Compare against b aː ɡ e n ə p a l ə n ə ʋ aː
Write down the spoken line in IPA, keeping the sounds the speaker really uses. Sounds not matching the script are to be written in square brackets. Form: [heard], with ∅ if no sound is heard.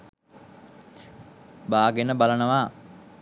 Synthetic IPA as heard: b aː ɡ e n ə [b] a l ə n ə ʋ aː